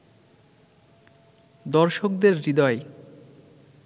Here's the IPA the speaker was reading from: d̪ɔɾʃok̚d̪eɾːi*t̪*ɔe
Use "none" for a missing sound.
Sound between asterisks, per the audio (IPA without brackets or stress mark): d̪